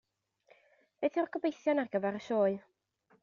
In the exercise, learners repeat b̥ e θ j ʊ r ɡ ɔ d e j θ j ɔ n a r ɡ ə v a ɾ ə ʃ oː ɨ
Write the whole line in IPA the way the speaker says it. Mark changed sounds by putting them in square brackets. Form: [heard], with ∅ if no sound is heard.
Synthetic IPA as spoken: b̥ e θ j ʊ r ɡ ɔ [b] e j θ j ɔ n a r ɡ ə v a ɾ ə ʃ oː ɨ